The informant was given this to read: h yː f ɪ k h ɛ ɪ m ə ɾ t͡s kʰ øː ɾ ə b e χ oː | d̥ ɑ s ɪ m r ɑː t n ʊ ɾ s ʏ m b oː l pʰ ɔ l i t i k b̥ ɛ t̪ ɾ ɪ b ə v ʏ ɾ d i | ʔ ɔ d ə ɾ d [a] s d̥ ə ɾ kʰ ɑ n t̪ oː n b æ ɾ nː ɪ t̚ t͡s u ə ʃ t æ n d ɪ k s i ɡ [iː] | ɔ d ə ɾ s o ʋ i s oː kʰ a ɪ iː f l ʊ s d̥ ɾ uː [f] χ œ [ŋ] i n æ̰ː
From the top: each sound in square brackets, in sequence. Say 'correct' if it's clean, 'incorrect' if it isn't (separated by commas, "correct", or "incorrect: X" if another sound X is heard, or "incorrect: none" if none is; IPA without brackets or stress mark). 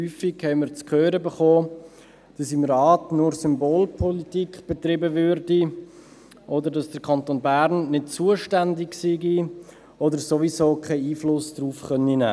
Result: incorrect: ɑ, incorrect: i, correct, incorrect: n